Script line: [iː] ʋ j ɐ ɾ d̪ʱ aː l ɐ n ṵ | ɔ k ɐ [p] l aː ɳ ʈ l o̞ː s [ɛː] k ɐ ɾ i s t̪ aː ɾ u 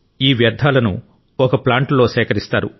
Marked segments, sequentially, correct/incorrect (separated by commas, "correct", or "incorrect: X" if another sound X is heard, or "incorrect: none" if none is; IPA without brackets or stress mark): correct, correct, correct